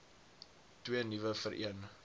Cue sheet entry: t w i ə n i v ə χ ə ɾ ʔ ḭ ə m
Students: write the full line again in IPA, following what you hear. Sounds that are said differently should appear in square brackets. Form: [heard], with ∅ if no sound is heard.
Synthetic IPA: t w i ə n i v ə [f] ə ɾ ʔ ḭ ə [n]